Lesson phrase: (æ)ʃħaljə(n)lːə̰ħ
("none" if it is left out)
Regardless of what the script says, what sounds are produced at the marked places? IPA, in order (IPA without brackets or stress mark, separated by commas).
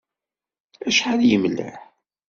æ, m